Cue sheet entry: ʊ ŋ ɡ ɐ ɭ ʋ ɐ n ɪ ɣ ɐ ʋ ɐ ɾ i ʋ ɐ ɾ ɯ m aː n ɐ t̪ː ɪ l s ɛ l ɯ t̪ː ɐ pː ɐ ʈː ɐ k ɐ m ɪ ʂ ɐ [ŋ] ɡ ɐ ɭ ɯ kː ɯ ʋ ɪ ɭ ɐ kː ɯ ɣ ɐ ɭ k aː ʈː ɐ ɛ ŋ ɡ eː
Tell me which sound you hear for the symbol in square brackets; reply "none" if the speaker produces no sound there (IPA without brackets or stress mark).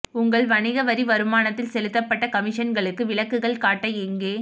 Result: n